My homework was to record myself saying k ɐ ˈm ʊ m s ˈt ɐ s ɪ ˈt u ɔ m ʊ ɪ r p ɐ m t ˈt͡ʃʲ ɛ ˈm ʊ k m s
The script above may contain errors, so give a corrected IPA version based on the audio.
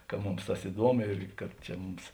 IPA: k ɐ ˈm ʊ m s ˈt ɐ s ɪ ˈd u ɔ m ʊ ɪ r k ɐ t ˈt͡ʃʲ ɛ ˈm ʊ m s